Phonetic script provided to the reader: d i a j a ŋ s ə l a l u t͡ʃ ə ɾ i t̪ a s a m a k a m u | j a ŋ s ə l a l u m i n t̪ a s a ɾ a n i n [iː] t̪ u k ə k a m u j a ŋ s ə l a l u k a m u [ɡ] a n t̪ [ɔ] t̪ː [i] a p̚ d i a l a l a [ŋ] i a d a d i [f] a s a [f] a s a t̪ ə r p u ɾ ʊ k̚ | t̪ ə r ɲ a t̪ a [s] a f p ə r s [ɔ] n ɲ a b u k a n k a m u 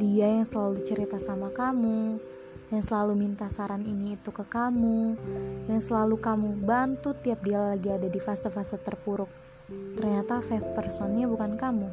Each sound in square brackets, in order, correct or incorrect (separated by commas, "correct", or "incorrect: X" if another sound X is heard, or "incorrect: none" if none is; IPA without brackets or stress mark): correct, incorrect: b, incorrect: u, correct, incorrect: ɡ, correct, correct, incorrect: f, correct